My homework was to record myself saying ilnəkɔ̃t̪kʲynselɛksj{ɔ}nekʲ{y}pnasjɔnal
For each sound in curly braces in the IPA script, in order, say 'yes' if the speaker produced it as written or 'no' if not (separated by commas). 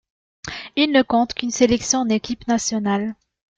no, no